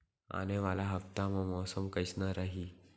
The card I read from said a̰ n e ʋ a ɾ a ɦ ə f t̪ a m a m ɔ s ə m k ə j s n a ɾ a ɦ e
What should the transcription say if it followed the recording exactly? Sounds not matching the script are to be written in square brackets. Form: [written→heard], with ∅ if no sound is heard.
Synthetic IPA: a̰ n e ʋ a [ɾ→l] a ɦ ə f t̪ a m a m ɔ s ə m k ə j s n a ɾ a ɦ [e→i]